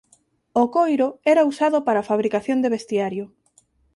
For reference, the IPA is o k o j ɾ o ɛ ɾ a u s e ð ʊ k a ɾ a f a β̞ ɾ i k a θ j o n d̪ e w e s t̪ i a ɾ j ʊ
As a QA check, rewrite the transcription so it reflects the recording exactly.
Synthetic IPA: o k o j ɾ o ɛ ɾ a u s a ð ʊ p a ɾ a f a β̞ ɾ i k a θ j o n d̪ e β e s t̪ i a ɾ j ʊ